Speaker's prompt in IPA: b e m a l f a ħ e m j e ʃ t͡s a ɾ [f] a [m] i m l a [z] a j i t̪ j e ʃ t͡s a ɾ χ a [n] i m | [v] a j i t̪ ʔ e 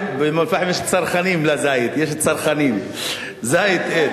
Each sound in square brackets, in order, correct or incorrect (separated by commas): incorrect, incorrect, correct, correct, incorrect